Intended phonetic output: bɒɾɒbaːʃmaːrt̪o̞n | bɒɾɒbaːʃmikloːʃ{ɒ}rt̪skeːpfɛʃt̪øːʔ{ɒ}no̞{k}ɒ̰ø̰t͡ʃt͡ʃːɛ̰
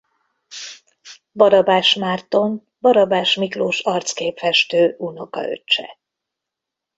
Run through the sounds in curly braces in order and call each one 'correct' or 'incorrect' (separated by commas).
correct, incorrect, correct